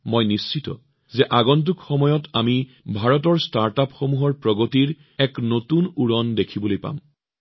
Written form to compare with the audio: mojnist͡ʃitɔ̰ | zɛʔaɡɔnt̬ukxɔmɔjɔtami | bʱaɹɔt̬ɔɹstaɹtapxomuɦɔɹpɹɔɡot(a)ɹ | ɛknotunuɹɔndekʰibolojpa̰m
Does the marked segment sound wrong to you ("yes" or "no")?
yes